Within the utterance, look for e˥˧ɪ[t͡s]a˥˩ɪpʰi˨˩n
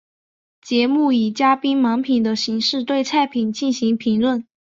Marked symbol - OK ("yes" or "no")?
no